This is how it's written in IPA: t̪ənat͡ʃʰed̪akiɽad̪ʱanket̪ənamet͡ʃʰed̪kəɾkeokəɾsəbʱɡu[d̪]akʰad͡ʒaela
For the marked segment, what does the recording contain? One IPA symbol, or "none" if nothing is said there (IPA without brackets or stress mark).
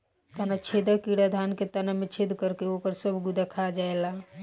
d̪